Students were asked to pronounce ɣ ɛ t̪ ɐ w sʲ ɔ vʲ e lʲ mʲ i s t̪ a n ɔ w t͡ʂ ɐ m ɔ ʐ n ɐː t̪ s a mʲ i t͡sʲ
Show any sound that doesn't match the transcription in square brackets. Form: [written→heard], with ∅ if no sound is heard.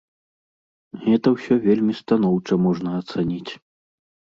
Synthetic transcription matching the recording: ɣ ɛ t̪ ɐ w sʲ ɔ vʲ e lʲ mʲ i s t̪ a n ɔ w t͡ʂ ɐ m ɔ ʐ n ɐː t̪ s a [mʲ→nʲ] i t͡sʲ